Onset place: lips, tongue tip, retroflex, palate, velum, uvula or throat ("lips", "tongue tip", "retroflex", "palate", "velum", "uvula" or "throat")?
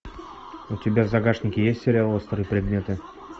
tongue tip